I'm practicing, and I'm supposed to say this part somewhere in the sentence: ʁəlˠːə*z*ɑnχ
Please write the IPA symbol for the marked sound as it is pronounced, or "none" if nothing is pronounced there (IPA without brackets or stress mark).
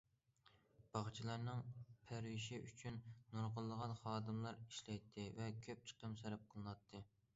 ʁ